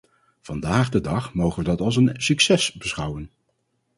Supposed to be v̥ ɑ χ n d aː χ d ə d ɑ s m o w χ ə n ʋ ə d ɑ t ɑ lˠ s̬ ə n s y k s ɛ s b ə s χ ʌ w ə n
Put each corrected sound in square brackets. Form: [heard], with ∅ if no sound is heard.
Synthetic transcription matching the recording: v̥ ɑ [∅] n d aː χ d ə d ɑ [χ] m o w χ ə n ʋ ə d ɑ t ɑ lˠ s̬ ə n s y k s ɛ s b ə s χ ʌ w ə n